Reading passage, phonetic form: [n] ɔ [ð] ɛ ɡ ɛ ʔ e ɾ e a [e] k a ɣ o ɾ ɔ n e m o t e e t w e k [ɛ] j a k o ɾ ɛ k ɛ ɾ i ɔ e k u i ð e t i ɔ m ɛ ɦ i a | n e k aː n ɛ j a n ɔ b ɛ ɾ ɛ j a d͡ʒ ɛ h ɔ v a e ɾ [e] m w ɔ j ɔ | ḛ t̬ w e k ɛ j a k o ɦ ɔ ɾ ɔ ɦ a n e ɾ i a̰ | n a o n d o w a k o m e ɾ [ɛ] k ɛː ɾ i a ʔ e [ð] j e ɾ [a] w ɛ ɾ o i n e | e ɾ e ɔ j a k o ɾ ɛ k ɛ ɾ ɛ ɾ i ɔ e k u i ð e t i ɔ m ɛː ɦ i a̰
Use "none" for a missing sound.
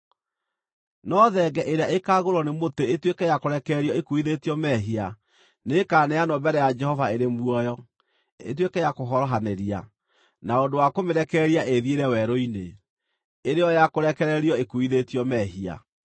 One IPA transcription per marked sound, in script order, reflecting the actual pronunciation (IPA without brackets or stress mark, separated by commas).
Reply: n, ð, e, ɛ, e, ɛ, ð, ɛ